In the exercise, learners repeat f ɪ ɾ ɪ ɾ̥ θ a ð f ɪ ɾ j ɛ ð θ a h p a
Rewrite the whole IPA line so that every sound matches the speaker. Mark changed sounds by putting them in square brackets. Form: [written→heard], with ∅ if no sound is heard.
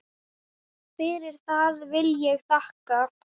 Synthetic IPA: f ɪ ɾ ɪ ɾ̥ θ a ð [f→v] ɪ [ɾ→l] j ɛ [ð→ɣ] θ a h [p→k] a